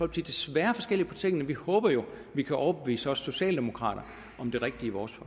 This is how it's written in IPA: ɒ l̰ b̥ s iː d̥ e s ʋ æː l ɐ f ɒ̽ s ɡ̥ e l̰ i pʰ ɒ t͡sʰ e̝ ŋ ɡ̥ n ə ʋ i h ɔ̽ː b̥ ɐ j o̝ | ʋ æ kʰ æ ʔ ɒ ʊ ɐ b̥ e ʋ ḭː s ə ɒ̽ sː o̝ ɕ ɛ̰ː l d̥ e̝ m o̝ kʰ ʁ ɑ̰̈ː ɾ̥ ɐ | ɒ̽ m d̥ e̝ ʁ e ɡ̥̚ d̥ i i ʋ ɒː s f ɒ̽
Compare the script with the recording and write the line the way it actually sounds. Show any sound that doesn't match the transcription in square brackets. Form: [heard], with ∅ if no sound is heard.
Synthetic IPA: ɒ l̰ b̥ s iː d̥ e s ʋ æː [∅] ɐ f ɒ̽ s ɡ̥ e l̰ i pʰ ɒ t͡sʰ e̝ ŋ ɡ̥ n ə ʋ i h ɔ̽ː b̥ ɐ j o̝ | ʋ [i] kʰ æ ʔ ɒ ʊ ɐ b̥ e ʋ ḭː s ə ɒ̽ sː o̝ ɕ ɛ̰ː l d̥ e̝ m o̝ kʰ ʁ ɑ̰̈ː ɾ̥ ɐ | ɒ̽ m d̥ e̝ ʁ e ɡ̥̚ d̥ i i ʋ ɒː s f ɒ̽